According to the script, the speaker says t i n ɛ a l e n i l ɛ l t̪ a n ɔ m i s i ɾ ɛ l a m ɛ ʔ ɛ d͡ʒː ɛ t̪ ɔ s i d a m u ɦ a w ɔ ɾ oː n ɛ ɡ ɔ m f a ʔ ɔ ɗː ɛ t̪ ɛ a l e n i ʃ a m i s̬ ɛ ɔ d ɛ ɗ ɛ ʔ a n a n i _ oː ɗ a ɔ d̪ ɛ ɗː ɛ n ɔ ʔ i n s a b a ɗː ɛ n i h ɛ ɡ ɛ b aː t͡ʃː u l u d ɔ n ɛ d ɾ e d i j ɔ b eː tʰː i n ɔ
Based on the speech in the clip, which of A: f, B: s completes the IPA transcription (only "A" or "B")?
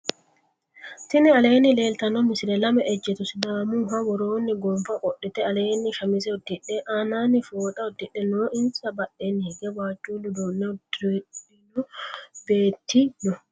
A